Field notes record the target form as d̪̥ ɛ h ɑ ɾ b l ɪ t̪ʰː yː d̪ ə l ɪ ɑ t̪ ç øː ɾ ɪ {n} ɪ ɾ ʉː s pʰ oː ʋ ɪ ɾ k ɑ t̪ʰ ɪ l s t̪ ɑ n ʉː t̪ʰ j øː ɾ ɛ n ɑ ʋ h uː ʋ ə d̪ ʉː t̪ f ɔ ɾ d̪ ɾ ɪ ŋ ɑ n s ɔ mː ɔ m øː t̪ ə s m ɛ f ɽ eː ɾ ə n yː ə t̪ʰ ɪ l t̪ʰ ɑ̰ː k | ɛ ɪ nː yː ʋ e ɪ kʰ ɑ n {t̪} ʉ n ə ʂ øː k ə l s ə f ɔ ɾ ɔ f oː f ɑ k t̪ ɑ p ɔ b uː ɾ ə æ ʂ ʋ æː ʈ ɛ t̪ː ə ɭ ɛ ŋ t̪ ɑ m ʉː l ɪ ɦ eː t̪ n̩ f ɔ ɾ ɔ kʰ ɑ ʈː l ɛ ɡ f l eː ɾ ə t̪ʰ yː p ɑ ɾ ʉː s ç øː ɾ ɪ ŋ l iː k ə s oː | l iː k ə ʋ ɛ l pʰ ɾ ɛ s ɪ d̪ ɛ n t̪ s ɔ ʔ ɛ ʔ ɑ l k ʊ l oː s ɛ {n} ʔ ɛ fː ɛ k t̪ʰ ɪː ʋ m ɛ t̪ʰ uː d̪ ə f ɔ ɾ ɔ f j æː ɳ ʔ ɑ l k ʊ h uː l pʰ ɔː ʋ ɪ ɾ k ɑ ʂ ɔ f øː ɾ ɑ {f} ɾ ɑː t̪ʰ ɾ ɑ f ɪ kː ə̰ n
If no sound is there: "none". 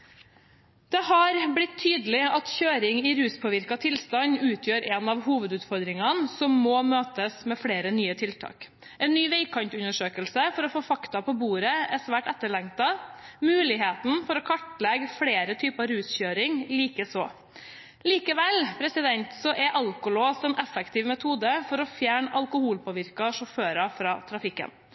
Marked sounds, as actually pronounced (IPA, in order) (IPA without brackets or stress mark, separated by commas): ŋ, t̪, n, f